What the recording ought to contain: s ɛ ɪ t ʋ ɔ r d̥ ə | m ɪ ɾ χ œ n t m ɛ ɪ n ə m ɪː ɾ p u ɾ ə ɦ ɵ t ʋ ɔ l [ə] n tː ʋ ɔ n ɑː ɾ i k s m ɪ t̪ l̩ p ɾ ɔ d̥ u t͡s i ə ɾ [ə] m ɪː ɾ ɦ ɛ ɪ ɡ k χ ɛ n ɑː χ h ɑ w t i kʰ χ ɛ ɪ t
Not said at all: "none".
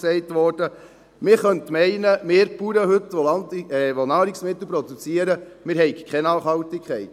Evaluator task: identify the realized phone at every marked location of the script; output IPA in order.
ɑ, ə

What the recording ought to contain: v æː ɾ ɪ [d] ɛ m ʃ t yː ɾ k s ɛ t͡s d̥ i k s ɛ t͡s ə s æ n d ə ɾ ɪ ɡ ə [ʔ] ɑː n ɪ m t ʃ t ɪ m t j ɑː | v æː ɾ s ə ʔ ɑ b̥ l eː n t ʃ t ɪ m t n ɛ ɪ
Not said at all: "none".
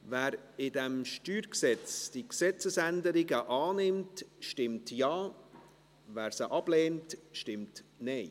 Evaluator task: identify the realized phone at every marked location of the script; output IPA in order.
d, ʔ

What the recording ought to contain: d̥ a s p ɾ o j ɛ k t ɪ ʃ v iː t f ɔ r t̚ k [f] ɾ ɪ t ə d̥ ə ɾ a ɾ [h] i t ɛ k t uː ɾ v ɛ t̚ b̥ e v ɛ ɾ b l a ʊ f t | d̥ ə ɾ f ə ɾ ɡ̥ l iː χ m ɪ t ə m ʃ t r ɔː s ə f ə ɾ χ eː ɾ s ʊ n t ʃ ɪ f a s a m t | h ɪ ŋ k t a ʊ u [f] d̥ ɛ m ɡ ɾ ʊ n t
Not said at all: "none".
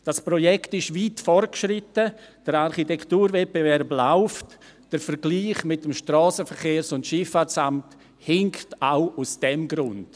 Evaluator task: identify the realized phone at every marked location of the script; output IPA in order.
ʃ, χ, s

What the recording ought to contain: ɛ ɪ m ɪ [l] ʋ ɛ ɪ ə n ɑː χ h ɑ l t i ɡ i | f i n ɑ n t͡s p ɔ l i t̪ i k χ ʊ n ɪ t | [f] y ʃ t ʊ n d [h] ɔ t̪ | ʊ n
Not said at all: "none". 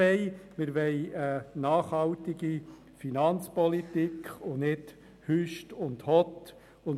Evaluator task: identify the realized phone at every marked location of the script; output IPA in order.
ɾ, h, h

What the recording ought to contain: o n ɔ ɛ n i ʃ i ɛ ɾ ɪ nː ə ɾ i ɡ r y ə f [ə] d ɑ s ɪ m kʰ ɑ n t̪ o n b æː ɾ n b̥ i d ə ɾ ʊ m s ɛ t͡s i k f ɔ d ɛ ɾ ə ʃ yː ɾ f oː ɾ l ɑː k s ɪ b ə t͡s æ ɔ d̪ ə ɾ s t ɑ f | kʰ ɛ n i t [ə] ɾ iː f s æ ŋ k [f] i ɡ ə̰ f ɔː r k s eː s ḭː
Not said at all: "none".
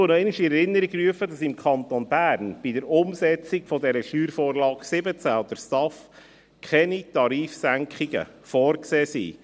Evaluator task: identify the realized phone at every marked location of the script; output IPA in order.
ə, ɑ, χ

